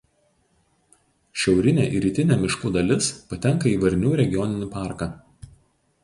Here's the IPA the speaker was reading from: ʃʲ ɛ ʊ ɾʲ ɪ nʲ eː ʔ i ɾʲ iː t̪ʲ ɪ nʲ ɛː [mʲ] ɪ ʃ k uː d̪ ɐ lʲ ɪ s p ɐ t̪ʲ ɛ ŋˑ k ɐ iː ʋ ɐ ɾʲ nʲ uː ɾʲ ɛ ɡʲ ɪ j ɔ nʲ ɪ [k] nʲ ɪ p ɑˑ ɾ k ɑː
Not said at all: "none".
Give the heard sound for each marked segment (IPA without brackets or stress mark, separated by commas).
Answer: mʲ, none